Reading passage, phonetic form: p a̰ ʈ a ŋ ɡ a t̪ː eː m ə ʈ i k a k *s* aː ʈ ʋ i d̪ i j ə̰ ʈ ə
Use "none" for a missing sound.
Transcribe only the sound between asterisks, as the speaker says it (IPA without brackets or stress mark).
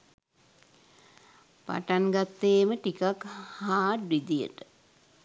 h